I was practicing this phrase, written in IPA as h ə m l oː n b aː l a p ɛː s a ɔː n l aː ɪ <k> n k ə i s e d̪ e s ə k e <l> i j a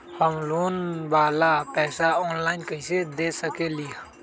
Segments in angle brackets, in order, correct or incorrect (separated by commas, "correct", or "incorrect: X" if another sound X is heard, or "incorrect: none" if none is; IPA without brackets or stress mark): incorrect: none, correct